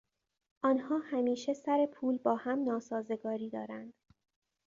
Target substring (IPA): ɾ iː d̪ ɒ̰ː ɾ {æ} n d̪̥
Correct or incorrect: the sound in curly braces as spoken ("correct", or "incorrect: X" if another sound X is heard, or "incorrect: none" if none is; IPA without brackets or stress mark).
correct